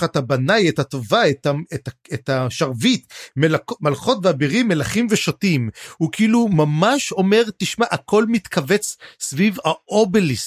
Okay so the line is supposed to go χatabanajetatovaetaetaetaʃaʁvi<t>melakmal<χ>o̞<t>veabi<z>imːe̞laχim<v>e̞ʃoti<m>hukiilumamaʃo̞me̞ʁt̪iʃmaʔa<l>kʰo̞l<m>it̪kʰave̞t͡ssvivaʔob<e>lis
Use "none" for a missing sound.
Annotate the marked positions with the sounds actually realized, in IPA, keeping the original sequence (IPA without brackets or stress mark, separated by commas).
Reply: t, χ, t, ʁ, v, m, none, m, e